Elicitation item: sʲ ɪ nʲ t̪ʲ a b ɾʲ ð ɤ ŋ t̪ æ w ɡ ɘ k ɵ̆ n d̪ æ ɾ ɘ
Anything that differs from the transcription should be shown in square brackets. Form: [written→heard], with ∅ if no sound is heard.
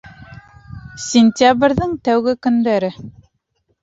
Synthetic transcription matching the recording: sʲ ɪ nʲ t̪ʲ a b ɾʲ ð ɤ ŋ t̪ æ w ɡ ɘ k ɵ̆ n d̪ æ ɾ ɘ